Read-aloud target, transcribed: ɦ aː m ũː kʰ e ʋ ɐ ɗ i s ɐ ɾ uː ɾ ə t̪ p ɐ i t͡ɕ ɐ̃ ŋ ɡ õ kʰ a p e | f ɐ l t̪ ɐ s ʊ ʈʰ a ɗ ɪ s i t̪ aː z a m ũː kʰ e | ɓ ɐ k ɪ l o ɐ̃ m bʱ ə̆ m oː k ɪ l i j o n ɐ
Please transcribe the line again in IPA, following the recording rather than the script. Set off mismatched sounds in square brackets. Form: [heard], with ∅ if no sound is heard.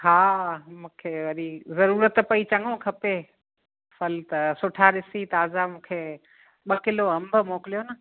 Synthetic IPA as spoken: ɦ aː m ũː kʰ e ʋ ɐ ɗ i [z] ɐ ɾ uː ɾ ə t̪ p ɐ i t͡ɕ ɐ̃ ŋ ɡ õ kʰ [ɐ] p e | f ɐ l t̪ ɐ s ʊ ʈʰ a ɗ ɪ s i t̪ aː z a m ũː kʰ e | ɓ ɐ k ɪ l o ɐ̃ m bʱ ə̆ m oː k ɪ l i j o n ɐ